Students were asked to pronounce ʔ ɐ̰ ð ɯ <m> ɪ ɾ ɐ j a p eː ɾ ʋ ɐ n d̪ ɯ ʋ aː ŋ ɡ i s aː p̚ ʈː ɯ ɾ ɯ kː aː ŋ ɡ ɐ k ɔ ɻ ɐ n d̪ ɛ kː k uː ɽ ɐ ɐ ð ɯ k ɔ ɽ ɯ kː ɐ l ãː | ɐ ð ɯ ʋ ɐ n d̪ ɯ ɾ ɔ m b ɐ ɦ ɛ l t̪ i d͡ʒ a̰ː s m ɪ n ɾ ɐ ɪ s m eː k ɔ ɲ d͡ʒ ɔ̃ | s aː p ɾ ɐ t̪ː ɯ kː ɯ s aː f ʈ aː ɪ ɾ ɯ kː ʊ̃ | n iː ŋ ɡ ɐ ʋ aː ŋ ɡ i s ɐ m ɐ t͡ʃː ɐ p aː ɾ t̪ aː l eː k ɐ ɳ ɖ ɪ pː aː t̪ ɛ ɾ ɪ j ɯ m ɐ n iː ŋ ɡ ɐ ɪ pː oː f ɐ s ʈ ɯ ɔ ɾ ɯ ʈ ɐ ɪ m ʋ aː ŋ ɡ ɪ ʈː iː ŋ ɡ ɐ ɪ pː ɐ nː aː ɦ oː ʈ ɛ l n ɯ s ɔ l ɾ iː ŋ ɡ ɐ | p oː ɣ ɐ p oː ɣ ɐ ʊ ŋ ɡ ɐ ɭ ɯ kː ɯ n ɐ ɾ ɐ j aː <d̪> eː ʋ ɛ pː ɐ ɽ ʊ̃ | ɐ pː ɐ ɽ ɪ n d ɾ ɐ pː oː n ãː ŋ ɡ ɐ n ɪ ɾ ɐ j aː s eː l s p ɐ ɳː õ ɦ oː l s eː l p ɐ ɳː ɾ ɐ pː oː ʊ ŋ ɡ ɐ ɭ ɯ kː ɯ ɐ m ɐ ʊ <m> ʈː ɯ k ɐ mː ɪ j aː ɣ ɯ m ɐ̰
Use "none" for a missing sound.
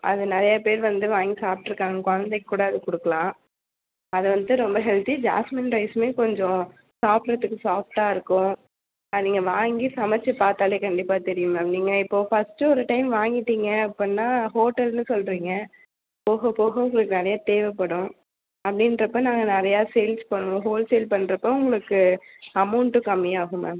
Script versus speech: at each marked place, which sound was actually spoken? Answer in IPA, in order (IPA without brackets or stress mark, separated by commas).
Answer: n, t̪, ɳ